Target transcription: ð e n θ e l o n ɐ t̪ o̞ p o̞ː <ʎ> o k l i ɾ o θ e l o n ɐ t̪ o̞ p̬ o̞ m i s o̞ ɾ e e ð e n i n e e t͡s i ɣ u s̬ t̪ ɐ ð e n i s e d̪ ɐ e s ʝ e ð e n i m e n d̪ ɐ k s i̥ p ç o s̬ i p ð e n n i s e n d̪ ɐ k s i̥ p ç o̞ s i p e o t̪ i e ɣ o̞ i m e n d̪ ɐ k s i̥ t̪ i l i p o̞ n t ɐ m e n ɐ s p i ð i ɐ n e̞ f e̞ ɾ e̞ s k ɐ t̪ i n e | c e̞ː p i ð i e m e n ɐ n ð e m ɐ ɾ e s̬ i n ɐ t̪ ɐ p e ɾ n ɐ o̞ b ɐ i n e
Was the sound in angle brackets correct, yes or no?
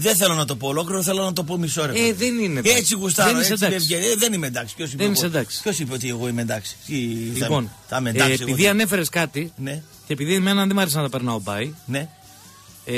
no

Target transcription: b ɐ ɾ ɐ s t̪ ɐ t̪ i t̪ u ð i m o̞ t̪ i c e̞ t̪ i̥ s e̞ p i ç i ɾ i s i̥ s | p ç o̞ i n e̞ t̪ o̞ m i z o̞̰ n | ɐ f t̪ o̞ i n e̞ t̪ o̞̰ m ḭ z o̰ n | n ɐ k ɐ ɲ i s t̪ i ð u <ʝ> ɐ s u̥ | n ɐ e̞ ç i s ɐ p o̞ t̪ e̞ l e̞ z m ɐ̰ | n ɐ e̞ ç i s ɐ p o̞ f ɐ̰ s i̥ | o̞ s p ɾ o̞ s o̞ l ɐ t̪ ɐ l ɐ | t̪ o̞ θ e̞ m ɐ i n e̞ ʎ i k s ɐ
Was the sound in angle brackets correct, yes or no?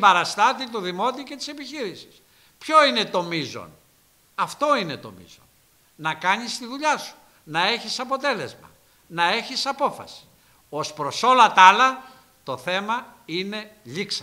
no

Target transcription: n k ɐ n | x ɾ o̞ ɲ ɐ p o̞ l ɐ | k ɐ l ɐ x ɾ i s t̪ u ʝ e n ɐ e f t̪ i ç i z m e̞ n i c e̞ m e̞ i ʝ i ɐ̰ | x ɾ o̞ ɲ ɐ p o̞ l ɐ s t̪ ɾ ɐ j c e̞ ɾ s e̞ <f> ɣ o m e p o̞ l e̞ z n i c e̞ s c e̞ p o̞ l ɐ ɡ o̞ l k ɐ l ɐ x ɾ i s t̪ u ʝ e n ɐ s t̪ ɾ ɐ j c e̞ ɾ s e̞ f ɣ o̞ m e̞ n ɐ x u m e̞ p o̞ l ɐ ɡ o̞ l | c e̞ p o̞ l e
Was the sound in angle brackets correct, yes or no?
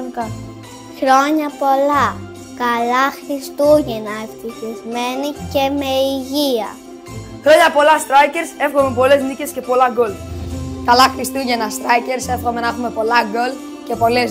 yes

